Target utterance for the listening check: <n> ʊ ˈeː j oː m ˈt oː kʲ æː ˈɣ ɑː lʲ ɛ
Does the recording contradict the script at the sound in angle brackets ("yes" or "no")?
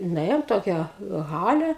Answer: no